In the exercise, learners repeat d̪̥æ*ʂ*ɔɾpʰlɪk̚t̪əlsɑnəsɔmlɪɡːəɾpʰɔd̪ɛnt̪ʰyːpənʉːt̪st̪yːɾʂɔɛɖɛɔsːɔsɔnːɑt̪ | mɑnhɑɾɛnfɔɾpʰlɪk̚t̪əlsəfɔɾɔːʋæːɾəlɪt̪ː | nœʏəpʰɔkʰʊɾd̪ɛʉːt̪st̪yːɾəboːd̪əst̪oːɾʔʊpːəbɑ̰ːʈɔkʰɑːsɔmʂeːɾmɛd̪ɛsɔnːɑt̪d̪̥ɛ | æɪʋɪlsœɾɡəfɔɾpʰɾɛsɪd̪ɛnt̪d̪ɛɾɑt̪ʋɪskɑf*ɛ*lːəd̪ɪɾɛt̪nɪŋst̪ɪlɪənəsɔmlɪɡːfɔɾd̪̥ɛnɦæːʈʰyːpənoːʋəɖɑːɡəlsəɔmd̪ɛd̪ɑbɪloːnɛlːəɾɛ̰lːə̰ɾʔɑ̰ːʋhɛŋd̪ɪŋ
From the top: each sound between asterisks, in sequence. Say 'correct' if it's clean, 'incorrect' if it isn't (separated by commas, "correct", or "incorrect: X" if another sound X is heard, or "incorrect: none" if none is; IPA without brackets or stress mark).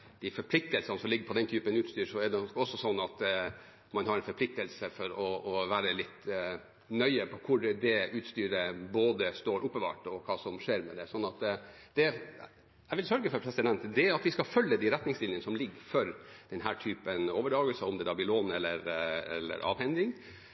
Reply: incorrect: f, incorrect: œ